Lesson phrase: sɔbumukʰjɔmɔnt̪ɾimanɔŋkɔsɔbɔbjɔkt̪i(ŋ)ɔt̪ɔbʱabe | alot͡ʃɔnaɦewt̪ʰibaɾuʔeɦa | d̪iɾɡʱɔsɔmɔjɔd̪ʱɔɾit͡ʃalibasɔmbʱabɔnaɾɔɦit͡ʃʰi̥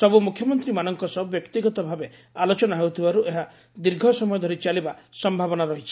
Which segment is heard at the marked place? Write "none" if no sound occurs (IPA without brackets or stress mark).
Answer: ɡ